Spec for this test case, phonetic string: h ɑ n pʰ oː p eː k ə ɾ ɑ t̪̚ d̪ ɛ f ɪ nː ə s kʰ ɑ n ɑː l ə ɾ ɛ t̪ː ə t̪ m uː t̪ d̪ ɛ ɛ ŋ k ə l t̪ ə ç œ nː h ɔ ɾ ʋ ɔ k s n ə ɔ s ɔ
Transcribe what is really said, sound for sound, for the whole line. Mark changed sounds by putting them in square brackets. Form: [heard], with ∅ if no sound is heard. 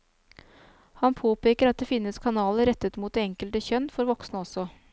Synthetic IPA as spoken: h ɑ n pʰ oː p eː k ə ɾ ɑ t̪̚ d̪ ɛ f ɪ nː ə s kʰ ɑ n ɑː l ə ɾ ɛ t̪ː ə t̪ m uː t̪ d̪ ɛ ɛ ŋ k ə l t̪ ə ç œ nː [f] ɔ ɾ ʋ ɔ k s n ə ɔ s ɔ